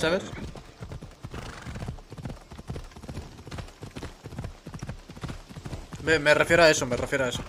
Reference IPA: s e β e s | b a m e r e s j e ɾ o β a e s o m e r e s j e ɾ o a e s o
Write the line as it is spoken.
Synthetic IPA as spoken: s a β e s | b e m e r e f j e ɾ o a e s o m e r e f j e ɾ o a e s o